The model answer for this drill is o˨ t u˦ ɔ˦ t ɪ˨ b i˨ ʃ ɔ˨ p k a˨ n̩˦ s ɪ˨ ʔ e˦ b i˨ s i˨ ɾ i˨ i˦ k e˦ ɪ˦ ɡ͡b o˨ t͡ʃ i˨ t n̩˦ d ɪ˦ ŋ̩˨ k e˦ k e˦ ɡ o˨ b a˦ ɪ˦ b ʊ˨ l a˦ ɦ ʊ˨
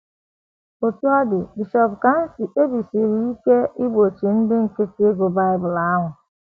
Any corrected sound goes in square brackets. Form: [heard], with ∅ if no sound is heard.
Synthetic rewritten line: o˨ t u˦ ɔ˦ [d] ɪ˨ b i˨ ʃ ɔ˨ p k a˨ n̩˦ s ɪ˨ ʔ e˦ b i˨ s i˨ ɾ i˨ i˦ k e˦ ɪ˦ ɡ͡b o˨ t͡ʃ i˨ [∅] n̩˦ d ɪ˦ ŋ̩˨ k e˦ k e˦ ɡ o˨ b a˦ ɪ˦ b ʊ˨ l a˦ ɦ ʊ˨